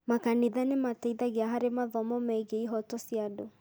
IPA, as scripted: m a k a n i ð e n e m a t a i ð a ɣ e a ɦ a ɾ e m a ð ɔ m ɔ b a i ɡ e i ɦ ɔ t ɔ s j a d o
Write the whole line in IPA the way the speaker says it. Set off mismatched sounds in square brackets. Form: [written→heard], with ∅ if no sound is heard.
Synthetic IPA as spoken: m a k a n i ð [e→a] n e m a t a i ð a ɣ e a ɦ a ɾ e m a ð ɔ m ɔ [b→m] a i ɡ e i ɦ ɔ t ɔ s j a d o